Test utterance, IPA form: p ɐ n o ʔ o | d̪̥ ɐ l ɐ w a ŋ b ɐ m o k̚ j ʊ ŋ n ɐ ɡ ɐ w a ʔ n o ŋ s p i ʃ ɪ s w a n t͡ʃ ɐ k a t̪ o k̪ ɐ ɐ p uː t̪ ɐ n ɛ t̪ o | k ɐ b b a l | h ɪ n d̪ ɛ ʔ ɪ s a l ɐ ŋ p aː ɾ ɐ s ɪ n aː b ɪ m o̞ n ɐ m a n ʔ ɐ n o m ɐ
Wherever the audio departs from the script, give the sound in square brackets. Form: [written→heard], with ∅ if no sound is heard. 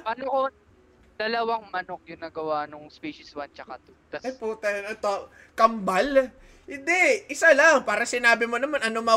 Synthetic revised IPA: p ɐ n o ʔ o | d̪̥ ɐ l ɐ w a ŋ [b→m] ɐ [m→n] o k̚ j ʊ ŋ n ɐ ɡ ɐ w a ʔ n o ŋ s p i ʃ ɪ s w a n t͡ʃ ɐ k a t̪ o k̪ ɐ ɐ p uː t̪ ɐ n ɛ t̪ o | k ɐ [b→m] b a l | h ɪ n d̪ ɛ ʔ ɪ s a l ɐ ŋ p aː ɾ ɐ s ɪ n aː b ɪ m o̞ n ɐ m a n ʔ ɐ n o m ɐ